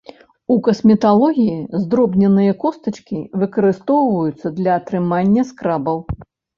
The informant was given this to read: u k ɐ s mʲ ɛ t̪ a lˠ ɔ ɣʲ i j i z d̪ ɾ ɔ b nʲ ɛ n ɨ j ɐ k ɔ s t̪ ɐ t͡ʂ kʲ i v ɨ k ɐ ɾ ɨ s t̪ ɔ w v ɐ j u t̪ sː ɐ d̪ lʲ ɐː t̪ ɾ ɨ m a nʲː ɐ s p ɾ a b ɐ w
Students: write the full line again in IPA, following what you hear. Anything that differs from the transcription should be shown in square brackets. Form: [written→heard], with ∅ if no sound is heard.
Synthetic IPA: u k ɐ s mʲ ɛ t̪ a lˠ ɔ ɣʲ i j i z d̪ ɾ ɔ b nʲ ɛ n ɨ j ɐ k ɔ s t̪ ɐ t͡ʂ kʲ i v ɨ k ɐ ɾ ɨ s t̪ ɔ w v ɐ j u t̪ sː ɐ d̪ lʲ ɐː t̪ ɾ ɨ m a nʲː ɐ s [p→k] ɾ a b ɐ w

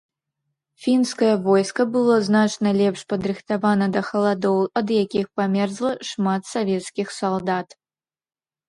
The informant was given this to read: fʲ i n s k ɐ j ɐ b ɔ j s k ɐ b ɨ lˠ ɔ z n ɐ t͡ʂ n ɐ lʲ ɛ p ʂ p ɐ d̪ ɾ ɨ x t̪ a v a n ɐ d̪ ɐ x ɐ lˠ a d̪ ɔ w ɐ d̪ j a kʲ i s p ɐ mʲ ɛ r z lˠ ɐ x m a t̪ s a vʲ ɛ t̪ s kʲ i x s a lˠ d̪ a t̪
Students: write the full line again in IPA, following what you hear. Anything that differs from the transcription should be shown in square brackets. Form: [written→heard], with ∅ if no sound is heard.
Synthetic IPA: fʲ i n s k ɐ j ɐ [b→v] ɔ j s k ɐ b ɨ lˠ ɔ z n [ɐ→a] t͡ʂ n ɐ lʲ ɛ p ʂ p ɐ d̪ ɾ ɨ x t̪ a v a n ɐ d̪ ɐ x ɐ lˠ a d̪ ɔ w ɐ d̪ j a kʲ i [s→x] p [ɐ→a] mʲ ɛ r z lˠ ɐ [x→ʂ] m a t̪ s a vʲ ɛ t̪ s kʲ i x s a lˠ d̪ a t̪

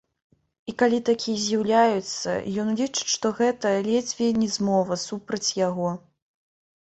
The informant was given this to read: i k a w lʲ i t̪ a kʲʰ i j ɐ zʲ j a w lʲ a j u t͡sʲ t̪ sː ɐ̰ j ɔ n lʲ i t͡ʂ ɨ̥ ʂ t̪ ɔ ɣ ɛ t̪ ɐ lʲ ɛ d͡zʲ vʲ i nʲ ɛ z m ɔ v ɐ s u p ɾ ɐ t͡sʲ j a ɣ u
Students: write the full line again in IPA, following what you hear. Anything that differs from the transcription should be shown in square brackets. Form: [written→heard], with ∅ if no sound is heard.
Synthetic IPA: i k a [w→∅] lʲ i t̪ a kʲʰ i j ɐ zʲ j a w lʲ a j u [t͡sʲ→∅] t̪ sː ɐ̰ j ɔ n lʲ i t͡ʂ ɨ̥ ʂ t̪ ɔ ɣ ɛ t̪ ɐ lʲ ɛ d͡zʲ vʲ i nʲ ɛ z m ɔ v ɐ s u p ɾ ɐ t͡sʲ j a ɣ [u→ɔ]

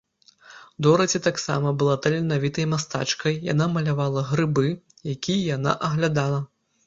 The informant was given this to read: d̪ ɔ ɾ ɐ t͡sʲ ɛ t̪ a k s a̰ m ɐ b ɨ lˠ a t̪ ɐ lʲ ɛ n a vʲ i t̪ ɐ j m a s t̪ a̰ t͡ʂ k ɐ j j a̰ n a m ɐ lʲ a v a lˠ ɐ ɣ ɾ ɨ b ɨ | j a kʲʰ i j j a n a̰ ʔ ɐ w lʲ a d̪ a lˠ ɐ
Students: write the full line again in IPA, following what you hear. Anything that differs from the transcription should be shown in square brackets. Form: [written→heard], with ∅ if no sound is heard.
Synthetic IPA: d̪ ɔ ɾ ɐ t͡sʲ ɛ t̪ a k s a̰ m ɐ b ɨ lˠ a t̪ ɐ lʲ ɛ n a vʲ i t̪ ɐ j m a s t̪ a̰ t͡ʂ k ɐ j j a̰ n a m ɐ lʲ a v a lˠ ɐ ɣ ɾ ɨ b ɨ | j a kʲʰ i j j a n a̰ ʔ ɐ [w→ɣ] lʲ a d̪ a lˠ ɐ

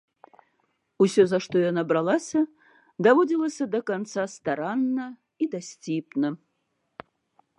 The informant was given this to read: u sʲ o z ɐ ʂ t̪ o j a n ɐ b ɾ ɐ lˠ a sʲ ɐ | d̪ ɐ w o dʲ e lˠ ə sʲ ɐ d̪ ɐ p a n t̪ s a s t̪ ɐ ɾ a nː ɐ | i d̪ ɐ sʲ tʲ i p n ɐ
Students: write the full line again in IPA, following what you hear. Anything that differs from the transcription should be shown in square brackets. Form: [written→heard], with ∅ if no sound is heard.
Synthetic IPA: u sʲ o z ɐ ʂ t̪ o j a n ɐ b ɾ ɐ lˠ a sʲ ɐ | d̪ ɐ [w→v] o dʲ [e→i] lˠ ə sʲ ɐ d̪ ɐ [p→k] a n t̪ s a s t̪ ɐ ɾ a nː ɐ | i d̪ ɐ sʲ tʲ i p n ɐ

